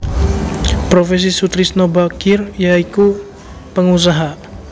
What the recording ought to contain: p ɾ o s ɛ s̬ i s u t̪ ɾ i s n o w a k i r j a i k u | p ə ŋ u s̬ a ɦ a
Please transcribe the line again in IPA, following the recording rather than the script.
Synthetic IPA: p ɾ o f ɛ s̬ i s u t̪ ɾ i s n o b a k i r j a i k u | p ə ŋ u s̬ a ɦ a